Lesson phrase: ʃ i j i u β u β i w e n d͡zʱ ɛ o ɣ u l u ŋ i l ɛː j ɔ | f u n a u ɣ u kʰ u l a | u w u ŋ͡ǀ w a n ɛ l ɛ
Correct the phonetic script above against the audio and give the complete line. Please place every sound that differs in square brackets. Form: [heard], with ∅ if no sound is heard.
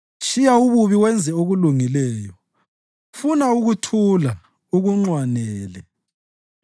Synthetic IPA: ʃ i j [a] u β u β i w [ɛ] n d͡zʱ ɛ o ɣ u l u ŋ i l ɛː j ɔ | f u n a u ɣ u [tʰ] u l a | u [ɣ] u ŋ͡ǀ w a n [ɛː] l ɛ